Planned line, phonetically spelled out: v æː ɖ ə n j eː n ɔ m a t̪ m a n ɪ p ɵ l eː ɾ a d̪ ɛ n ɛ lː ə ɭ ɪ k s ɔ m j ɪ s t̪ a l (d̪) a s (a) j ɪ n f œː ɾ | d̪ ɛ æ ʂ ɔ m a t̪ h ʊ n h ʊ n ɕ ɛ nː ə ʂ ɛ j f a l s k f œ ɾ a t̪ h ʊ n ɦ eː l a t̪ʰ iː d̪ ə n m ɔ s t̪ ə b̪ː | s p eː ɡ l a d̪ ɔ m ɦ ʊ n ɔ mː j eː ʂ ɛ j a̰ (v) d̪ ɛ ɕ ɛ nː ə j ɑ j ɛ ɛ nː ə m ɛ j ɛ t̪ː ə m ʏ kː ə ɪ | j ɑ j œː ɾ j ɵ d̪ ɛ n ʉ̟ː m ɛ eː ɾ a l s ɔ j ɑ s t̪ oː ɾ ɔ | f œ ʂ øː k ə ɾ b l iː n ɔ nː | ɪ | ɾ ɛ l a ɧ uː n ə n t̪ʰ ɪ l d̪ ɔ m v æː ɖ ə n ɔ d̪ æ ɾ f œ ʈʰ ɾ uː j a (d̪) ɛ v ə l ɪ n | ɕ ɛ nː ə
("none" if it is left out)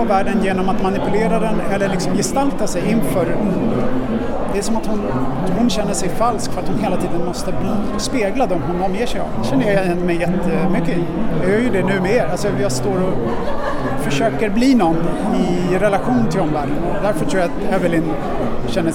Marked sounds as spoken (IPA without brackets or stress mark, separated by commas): t̪, ɛ, v, t̪